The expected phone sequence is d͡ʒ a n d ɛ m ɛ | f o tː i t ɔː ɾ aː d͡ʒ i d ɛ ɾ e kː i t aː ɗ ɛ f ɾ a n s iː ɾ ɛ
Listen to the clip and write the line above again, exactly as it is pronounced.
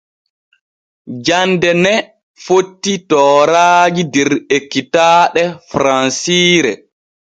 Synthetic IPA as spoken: d͡ʒ a n d ɛ n ɛ | f o tː i t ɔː ɾ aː d͡ʒ i d ɛ ɾ e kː i t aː ɗ ɛ f ɾ a n s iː ɾ ɛ